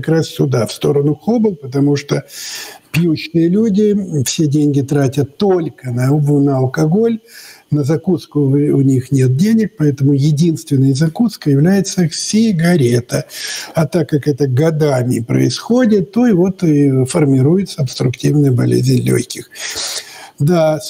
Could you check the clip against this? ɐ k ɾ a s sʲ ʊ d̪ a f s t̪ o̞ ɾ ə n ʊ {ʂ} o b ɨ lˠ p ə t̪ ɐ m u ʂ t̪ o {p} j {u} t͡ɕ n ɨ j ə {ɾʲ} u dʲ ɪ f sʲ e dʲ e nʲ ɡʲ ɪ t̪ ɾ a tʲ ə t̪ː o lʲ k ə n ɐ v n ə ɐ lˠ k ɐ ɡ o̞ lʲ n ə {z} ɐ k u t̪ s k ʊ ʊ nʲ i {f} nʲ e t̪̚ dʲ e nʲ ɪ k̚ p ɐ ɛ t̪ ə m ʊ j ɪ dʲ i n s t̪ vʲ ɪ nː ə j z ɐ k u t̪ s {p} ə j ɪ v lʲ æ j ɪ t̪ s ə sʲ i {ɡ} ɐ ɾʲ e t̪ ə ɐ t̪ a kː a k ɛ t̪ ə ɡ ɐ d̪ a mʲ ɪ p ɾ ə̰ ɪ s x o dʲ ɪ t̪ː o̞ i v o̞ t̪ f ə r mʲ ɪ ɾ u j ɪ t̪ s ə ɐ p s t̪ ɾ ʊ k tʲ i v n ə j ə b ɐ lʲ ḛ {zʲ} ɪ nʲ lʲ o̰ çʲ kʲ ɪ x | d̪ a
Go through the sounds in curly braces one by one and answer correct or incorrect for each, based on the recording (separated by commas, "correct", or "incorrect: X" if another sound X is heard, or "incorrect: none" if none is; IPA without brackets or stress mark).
incorrect: x, correct, correct, incorrect: lʲ, correct, incorrect: x, incorrect: k, correct, correct